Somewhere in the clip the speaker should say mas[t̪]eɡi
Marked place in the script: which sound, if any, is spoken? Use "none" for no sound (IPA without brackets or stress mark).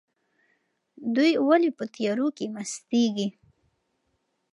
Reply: t̪